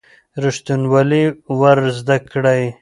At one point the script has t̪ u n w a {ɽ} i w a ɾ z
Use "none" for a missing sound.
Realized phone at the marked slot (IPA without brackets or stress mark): l